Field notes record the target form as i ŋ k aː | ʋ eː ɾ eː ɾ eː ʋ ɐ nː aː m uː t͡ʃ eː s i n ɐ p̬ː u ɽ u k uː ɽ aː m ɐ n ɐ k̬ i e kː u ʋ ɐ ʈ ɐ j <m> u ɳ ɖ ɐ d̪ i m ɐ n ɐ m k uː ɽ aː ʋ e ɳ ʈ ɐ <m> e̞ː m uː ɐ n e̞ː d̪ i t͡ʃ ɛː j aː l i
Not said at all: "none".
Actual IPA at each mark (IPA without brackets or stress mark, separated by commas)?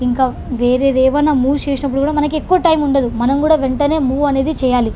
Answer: m, n